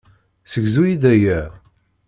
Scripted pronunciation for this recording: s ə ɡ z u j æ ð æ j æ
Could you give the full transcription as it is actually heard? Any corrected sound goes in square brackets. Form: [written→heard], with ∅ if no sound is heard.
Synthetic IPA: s ə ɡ z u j [æ→i] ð æ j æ